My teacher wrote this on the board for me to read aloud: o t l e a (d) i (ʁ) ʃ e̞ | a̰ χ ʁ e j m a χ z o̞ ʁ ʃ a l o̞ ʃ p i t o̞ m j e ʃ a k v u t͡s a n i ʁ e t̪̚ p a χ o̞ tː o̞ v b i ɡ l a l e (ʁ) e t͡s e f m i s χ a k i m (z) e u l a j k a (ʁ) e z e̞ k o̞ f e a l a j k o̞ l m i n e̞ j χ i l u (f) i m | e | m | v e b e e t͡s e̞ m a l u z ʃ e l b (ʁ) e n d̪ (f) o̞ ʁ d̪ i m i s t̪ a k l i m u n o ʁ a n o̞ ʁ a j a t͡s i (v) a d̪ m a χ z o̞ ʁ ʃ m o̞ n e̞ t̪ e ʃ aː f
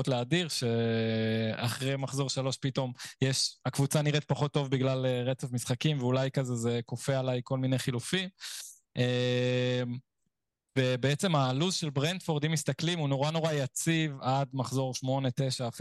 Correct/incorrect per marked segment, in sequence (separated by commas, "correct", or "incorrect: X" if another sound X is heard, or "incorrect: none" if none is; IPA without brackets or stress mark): correct, correct, correct, incorrect: v, incorrect: z, correct, correct, correct, correct